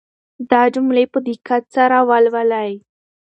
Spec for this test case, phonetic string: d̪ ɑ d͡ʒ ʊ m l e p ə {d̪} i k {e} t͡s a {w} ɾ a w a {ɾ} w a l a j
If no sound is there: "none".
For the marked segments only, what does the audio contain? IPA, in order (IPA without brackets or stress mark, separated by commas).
d̪, a, none, l